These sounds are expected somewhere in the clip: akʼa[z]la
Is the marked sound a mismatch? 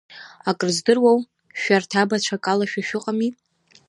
yes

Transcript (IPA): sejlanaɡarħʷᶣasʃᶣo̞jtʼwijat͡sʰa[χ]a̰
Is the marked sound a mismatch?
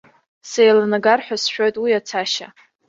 yes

